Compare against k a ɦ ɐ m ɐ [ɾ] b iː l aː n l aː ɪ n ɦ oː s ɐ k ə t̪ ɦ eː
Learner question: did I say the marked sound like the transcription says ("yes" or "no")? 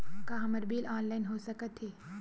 yes